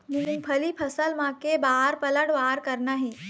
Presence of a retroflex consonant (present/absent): present